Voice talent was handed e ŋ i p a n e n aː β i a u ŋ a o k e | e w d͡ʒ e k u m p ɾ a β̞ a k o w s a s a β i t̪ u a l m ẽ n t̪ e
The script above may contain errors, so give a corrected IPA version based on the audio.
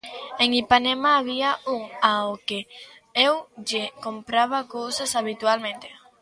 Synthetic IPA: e ŋ i p a n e m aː β i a u ŋ a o k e | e w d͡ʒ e k o m p ɾ a β̞ a k o w s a s a β i t̪ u a l m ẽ n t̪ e